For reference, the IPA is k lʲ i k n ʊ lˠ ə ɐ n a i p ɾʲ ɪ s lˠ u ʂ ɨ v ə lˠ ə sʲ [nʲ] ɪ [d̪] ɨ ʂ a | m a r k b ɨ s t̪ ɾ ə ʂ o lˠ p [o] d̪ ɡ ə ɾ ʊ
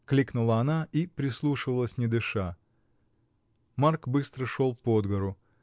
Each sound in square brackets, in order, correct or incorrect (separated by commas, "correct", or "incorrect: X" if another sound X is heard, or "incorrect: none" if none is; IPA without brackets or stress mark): correct, correct, correct